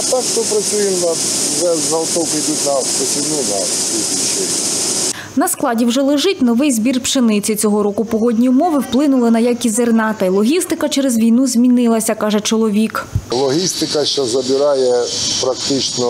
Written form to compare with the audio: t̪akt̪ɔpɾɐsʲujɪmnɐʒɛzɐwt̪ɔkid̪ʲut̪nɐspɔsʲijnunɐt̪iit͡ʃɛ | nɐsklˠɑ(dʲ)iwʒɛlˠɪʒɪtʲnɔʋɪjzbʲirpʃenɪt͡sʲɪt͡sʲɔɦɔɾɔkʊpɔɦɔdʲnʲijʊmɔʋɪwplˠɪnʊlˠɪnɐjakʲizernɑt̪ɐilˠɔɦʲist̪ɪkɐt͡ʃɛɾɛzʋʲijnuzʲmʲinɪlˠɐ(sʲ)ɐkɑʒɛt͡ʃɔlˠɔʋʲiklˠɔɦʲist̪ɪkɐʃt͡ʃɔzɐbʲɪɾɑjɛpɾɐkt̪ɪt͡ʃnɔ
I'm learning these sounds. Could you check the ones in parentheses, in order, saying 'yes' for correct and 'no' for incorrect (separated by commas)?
yes, yes